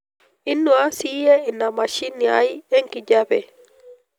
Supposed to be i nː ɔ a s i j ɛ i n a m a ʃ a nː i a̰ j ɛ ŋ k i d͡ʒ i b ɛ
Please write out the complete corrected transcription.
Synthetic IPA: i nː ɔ a s i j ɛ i n a m a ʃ i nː i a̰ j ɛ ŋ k i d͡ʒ a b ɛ